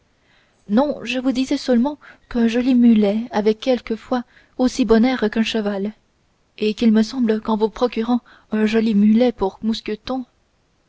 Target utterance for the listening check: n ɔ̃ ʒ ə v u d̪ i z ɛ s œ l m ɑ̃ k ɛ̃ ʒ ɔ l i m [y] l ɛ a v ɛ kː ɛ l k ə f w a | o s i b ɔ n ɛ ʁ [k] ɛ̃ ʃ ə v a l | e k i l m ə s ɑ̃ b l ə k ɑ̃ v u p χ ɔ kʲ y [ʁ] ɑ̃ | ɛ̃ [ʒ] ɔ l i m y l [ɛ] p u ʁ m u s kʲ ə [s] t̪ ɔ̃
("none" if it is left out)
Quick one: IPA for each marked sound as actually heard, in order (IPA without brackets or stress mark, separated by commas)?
y, k, ʁ, ʒ, ɛ, none